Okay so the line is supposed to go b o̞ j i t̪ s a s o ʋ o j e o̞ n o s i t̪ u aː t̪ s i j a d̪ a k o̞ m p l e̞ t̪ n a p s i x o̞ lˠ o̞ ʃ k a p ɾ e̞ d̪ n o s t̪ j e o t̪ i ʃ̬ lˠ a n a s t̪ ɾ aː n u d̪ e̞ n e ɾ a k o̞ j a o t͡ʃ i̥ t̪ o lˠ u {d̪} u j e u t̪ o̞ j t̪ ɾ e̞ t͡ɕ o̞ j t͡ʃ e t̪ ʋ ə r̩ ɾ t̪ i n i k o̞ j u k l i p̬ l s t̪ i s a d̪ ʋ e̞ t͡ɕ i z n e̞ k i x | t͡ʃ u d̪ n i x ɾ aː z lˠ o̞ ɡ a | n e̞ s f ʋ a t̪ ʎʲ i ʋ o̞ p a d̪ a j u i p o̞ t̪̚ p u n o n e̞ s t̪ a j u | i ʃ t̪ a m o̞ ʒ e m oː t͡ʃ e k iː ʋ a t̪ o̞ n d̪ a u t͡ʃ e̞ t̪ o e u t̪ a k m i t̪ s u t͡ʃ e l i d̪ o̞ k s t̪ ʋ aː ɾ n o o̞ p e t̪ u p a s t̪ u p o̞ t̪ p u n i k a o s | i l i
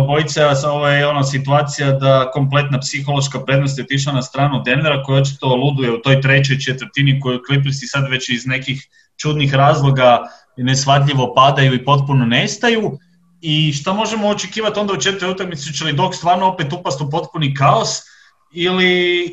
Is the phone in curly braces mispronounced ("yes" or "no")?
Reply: no